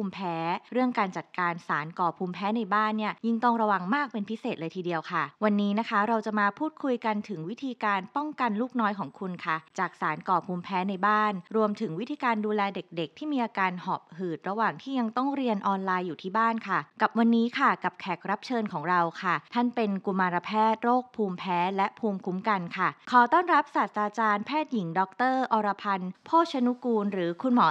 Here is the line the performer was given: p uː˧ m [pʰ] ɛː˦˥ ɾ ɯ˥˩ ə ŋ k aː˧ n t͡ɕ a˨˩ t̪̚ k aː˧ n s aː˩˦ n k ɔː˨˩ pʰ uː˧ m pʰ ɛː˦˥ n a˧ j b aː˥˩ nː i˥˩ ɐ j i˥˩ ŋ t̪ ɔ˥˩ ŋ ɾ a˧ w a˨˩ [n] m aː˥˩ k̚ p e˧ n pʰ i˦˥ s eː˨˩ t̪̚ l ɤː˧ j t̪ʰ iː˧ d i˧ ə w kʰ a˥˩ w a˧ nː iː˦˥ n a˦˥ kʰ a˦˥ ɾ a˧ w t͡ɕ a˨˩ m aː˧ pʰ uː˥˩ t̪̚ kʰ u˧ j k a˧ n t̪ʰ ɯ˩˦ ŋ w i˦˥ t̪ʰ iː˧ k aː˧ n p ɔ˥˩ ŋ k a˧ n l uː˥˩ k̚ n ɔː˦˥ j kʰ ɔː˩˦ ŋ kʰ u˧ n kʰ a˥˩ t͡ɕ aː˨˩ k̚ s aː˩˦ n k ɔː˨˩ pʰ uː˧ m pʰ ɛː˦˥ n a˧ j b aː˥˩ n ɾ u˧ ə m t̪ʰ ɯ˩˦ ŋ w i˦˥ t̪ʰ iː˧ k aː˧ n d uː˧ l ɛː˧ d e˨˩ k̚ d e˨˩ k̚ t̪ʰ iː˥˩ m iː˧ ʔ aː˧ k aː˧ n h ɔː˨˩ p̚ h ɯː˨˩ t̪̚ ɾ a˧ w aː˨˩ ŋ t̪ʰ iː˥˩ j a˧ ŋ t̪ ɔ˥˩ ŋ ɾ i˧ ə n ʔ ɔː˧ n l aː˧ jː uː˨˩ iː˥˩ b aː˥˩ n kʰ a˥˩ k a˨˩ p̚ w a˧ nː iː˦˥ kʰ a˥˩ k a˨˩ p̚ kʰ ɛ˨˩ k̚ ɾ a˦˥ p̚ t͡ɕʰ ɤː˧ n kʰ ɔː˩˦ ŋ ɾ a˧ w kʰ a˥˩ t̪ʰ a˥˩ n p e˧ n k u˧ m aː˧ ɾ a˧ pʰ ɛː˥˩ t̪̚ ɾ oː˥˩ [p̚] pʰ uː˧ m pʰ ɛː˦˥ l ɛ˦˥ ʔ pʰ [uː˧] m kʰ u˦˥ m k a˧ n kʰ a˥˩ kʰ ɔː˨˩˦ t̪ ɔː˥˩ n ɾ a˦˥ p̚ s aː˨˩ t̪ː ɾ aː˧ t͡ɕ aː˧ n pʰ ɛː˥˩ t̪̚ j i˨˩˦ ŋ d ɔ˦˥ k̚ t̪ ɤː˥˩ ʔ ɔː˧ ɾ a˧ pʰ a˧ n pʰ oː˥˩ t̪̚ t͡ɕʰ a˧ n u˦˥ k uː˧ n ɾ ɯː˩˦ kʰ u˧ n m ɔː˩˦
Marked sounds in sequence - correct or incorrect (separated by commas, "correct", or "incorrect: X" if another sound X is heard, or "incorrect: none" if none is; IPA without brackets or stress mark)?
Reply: correct, incorrect: ŋ, incorrect: k̚, correct